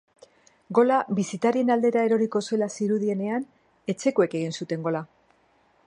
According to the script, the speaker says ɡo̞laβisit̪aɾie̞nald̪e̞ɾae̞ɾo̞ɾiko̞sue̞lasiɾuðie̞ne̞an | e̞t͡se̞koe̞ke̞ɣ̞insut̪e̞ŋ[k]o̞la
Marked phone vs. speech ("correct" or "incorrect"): incorrect